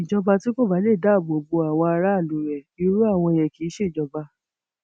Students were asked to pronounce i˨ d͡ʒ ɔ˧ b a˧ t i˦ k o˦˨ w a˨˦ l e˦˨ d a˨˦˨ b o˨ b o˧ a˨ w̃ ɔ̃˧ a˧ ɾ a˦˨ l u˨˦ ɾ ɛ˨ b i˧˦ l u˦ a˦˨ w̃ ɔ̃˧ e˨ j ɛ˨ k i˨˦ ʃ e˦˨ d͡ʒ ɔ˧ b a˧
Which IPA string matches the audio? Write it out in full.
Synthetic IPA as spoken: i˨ d͡ʒ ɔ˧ b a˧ t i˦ k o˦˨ b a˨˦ l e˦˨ d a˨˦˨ b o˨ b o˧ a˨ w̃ ɔ̃˧ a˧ ɾ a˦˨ l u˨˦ ɾ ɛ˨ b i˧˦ ɾ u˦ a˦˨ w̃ ɔ̃˧ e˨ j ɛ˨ k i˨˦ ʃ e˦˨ d͡ʒ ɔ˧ b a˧